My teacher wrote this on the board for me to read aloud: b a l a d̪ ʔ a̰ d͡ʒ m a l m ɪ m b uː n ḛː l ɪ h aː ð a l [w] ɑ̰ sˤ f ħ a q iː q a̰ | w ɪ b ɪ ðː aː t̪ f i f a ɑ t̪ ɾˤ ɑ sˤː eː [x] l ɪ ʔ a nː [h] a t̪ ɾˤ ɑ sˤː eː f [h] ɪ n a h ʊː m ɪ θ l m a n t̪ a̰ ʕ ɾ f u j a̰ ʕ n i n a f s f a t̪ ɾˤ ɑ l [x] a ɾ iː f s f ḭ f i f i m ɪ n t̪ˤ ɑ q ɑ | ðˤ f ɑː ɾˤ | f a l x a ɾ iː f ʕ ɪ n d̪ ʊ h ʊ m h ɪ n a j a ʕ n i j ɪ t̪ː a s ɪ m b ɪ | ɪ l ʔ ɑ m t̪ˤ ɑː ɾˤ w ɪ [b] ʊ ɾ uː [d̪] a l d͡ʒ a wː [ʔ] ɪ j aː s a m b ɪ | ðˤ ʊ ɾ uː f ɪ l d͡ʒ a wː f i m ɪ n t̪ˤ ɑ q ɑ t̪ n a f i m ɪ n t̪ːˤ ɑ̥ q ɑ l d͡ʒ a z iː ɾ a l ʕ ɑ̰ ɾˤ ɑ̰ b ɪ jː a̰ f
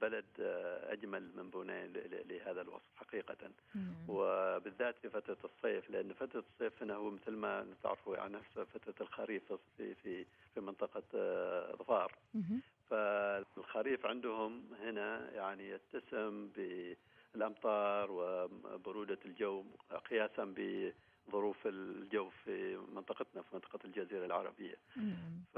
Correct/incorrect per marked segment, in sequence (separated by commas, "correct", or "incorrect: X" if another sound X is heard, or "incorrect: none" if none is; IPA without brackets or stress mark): correct, incorrect: f, incorrect: f, correct, correct, correct, correct, incorrect: q